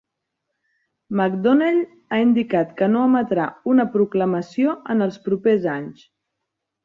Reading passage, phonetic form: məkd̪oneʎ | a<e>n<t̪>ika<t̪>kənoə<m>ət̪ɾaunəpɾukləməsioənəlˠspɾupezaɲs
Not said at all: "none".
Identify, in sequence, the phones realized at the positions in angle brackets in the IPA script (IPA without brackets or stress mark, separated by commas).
i, d̪, t̪, m